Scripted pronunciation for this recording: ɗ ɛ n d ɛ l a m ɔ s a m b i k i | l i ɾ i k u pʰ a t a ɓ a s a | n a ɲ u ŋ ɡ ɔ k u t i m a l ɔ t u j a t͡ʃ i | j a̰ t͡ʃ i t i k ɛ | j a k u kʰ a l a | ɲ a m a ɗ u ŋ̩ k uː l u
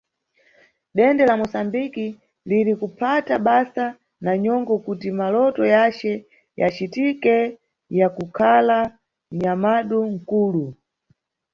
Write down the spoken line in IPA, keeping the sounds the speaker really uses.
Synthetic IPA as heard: ɗ ɛ n d ɛ l a m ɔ s a m b i k i | l i ɾ i k u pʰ a t a ɓ a s a | n a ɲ ɔ ŋ ɡ ɔ k u t i m a l ɔ t ɔ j a t͡ʃ ɛ | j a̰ t͡ʃ i t i k ɛ | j a k u kʰ a l a | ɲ a m a ɗ u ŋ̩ k uː l u